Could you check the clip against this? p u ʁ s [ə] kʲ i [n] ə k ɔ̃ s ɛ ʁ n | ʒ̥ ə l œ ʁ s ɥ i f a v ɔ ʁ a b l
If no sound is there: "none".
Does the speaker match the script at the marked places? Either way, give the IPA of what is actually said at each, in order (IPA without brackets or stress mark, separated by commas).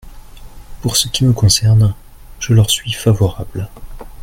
ə, m